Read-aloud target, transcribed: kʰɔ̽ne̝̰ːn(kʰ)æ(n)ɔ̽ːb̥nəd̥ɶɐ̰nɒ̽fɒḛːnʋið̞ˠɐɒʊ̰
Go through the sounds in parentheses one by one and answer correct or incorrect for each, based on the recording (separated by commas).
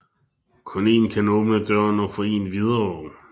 correct, correct